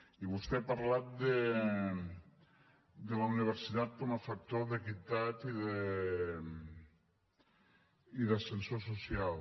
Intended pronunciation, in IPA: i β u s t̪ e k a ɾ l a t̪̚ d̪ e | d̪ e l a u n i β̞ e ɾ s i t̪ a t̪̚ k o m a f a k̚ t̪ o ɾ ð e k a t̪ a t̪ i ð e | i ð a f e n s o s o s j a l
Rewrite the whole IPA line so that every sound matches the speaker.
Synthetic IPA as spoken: i β u s t̪ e p a ɾ l a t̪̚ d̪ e | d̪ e l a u n i β̞ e ɾ s i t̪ a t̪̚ k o m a f a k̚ t̪ o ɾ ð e k i t̪ a t̪ i ð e | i ð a s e n s o s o s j a l